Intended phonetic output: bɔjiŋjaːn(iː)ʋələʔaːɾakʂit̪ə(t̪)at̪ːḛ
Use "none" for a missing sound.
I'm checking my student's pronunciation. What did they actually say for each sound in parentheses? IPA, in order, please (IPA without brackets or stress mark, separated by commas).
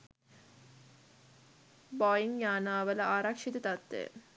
aː, t̪